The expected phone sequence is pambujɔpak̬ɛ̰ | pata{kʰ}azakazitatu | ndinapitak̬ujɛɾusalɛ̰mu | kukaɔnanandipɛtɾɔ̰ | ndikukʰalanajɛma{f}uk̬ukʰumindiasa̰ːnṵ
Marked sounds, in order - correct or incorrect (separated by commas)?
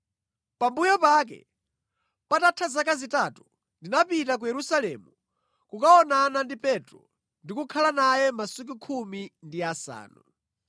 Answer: incorrect, incorrect